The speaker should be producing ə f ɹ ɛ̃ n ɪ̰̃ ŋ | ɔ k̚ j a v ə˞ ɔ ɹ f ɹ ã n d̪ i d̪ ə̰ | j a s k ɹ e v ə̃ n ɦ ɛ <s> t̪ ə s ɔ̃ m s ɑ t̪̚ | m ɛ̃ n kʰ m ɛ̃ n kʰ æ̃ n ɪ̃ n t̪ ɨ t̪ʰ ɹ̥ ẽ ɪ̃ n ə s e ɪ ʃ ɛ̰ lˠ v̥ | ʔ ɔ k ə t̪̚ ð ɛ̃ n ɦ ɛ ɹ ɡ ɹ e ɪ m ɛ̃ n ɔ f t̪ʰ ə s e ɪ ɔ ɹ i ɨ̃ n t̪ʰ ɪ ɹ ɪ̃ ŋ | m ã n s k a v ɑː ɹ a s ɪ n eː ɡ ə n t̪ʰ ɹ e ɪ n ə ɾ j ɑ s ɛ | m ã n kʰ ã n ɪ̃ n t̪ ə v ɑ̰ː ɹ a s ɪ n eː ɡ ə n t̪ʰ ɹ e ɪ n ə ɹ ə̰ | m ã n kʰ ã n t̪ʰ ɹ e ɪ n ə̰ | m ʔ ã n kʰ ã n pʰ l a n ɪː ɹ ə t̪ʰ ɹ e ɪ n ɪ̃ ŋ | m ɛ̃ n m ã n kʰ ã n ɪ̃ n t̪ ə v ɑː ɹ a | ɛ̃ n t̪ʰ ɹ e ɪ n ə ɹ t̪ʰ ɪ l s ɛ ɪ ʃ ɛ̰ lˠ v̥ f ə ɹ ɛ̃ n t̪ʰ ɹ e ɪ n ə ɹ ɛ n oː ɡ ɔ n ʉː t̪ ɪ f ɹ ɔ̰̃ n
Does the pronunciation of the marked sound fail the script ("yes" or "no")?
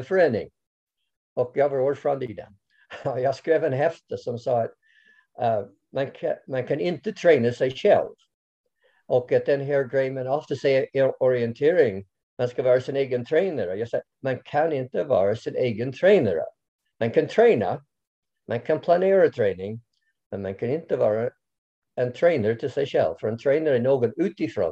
yes